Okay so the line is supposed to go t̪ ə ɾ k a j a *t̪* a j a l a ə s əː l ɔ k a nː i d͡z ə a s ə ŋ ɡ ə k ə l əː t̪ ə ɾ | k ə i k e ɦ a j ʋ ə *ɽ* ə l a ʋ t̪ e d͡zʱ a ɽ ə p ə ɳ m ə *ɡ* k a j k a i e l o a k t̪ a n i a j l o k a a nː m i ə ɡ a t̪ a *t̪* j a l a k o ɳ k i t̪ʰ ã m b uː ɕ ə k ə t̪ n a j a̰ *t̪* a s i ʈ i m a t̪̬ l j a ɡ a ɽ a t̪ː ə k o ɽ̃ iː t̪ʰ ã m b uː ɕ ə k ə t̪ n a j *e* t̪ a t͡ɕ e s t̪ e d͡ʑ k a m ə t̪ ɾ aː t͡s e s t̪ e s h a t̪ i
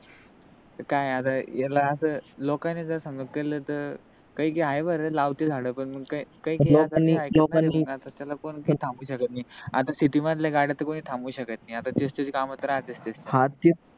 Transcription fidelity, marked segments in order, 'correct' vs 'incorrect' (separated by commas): correct, incorrect, correct, correct, correct, incorrect